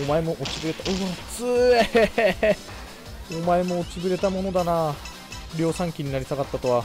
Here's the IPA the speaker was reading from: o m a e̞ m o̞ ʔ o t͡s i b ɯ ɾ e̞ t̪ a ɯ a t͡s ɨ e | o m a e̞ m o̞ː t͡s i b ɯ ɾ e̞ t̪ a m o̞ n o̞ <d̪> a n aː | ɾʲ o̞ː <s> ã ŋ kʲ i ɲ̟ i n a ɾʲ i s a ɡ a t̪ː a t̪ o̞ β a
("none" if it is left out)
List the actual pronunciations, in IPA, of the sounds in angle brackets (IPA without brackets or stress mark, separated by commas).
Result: d̪, s